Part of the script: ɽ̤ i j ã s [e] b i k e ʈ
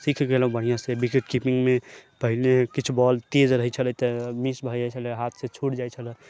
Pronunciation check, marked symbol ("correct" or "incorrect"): correct